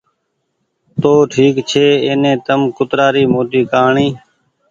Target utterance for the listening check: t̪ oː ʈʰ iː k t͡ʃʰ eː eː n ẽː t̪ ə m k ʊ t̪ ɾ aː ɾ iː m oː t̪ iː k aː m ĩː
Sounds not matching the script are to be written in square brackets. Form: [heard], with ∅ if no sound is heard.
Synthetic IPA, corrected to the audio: t̪ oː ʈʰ iː k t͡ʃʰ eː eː n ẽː t̪ ə m k ʊ t̪ ɾ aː ɾ iː m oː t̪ iː k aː [ɳ] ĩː